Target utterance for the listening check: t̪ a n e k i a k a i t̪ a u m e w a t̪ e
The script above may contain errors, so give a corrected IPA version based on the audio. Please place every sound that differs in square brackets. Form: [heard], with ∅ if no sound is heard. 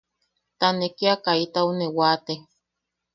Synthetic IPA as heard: t̪ a n e k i a k a i t̪ a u [n] e w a t̪ e